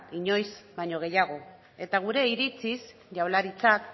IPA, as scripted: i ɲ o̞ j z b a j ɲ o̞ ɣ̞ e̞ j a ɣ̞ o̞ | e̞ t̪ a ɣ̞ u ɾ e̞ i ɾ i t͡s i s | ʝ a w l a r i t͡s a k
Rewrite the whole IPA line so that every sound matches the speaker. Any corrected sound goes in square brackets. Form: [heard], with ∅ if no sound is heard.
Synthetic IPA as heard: i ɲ o̞ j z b a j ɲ o̞ ɣ̞ e̞ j a ɣ̞ o̞ | e̞ t̪ a ɣ̞ u ɾ e̞ i ɾ i t͡s i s | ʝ a w l a [ɾ] i t͡s a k

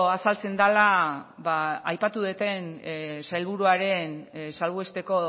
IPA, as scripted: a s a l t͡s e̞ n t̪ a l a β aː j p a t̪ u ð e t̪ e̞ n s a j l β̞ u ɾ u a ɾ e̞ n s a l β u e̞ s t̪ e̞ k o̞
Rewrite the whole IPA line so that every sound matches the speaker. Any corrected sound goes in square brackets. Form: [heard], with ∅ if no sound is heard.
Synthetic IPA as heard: a s a l t͡s e̞ n [d̪] a l a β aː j p a t̪ u ð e t̪ e̞ n s a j l β̞ u ɾ u a ɾ e̞ n s a l β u e̞ s t̪ e̞ k o̞

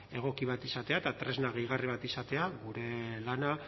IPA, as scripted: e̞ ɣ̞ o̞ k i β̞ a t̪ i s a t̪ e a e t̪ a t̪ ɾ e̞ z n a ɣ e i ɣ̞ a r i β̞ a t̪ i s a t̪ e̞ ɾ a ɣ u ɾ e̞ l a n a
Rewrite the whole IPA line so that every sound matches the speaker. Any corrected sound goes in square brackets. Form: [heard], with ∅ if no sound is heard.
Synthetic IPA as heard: e̞ ɣ̞ o̞ k i β̞ a t̪ i s a t̪ e a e t̪ a t̪ ɾ e̞ z n a ɣ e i ɣ̞ a r i β̞ a t̪ i s a t̪ e̞ [∅] a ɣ u ɾ e̞ l a n a

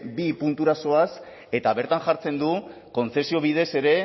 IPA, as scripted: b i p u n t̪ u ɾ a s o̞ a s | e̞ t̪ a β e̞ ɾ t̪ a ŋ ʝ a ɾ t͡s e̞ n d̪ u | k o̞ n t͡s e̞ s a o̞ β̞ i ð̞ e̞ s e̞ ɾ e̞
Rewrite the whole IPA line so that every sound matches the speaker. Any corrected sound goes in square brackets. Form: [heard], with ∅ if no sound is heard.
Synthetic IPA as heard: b i p u n t̪ u ɾ a s o̞ a s | e̞ t̪ a β e̞ ɾ t̪ a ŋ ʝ a ɾ t͡s e̞ n d̪ u | k o̞ n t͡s e̞ s [i] o̞ β̞ i ð̞ e̞ s e̞ ɾ e̞

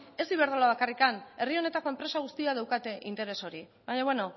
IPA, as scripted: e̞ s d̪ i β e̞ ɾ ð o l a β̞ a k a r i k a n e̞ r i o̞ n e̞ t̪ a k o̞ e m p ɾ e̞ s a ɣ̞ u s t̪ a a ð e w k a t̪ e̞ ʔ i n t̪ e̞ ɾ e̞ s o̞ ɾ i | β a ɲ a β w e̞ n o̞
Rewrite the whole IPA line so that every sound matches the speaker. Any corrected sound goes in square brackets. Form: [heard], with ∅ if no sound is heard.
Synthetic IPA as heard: e̞ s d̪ i β e̞ ɾ ð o l a β̞ a k a r i k a n e̞ r i o̞ n e̞ t̪ a k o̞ e m p ɾ e̞ s a ɣ̞ u s t̪ [i] a ð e w k a t̪ e̞ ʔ i n t̪ e̞ ɾ e̞ s o̞ ɾ i | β a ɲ a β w e̞ n o̞

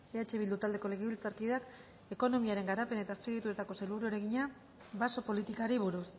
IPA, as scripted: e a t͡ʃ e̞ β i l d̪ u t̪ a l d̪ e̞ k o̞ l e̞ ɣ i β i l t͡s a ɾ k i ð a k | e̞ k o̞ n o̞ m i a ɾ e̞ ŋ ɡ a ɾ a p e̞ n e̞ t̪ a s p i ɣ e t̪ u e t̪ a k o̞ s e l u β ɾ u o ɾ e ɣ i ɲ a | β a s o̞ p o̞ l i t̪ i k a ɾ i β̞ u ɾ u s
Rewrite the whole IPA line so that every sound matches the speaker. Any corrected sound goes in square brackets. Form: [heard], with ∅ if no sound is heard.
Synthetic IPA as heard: e a t͡ʃ e̞ β i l d̪ u t̪ a l d̪ e̞ k o̞ l e̞ ɣ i β i l t͡s a ɾ k i ð a k | e̞ k o̞ n o̞ m i a ɾ e̞ ŋ ɡ a ɾ a p e̞ n e̞ t̪ a s p i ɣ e t̪ u e t̪ a k o̞ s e l u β ɾ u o ɾ e ɣ i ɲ a | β a s o̞ p o̞ l i t̪ i k a ɾ i β̞ u ɾ u s

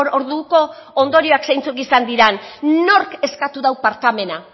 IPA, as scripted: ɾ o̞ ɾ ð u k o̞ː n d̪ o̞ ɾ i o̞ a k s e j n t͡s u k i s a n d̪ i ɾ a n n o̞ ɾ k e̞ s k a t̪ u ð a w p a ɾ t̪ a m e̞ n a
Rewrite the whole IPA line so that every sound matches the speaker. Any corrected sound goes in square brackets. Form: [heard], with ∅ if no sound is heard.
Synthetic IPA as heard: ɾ o̞ ɾ ð u k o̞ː n d̪ o̞ ɾ i o̞ a k s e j n t͡s u k i s a n d̪ i ɾ a n n o̞ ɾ k e̞ s k a t̪ u ð a w p a ɾ t̪ a m e̞ n a

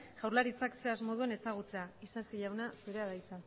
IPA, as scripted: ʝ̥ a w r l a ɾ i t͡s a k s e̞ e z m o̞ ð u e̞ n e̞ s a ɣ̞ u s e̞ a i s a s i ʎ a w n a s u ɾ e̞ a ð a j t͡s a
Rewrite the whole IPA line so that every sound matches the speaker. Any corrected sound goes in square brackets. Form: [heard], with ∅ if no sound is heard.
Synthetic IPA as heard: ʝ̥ a w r l a ɾ i t͡s a k s e̞ [a] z m o̞ ð u e̞ n e̞ s a ɣ̞ u [t͡s] e̞ a i s a s i ʎ a w n a s u ɾ e̞ a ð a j t͡s a

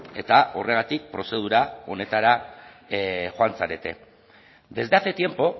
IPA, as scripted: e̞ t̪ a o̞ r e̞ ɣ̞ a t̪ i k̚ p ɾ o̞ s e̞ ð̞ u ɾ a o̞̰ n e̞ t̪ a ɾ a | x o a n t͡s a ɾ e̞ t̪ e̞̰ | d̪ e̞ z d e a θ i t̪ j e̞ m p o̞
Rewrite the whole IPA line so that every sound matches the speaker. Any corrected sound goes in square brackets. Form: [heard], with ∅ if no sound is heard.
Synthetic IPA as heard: e̞ t̪ a o̞ r e̞ ɣ̞ a t̪ i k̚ p ɾ o̞ s e̞ ð̞ u ɾ a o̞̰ n e̞ t̪ a ɾ a | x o a n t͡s a ɾ e̞ t̪ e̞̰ | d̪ e̞ z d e a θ [e] t̪ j e̞ m p o̞

